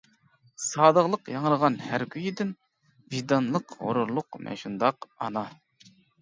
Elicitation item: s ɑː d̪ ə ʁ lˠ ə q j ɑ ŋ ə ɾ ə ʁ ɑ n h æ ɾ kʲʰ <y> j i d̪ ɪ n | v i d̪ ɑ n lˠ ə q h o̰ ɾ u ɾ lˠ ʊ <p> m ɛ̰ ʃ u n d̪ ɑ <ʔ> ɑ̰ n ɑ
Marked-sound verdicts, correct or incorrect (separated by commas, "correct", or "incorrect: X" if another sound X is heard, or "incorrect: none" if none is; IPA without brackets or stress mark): correct, incorrect: q, incorrect: q